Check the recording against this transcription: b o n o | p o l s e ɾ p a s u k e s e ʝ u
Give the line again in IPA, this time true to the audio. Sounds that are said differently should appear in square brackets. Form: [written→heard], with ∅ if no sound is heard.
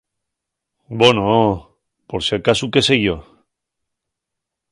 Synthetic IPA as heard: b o n o | p o [l→ɾ] s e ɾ [p→k] a s u k e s e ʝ [u→o]